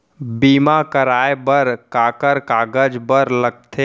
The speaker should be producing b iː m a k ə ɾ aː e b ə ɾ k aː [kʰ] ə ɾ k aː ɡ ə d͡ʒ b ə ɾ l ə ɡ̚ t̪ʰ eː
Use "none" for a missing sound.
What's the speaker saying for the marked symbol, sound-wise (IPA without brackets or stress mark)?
k